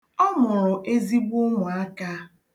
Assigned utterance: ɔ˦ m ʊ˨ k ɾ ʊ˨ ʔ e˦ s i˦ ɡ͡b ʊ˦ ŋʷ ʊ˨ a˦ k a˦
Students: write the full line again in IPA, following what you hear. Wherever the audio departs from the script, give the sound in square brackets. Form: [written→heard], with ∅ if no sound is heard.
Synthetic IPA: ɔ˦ m ʊ˨ [k→∅] ɾ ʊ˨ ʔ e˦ [s→z] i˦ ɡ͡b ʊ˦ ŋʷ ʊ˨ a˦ k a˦